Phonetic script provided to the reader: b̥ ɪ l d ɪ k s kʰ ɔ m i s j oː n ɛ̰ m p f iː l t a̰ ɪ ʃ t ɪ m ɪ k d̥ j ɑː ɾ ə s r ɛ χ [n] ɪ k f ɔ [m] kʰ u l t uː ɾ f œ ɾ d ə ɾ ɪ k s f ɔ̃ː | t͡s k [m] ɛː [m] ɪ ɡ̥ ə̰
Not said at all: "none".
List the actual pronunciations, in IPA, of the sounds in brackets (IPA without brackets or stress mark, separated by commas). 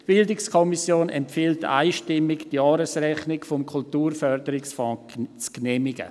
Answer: n, m, n, m